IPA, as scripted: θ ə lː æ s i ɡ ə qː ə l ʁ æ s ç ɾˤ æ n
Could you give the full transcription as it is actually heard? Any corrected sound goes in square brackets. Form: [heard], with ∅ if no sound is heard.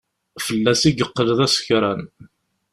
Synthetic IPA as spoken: [f] ə lː æ s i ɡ ə qː ə l [ð] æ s ç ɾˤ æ n